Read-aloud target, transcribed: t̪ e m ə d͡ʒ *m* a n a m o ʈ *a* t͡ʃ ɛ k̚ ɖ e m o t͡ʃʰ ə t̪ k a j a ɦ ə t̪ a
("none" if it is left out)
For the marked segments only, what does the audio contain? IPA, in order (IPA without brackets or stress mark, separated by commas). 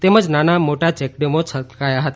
n, a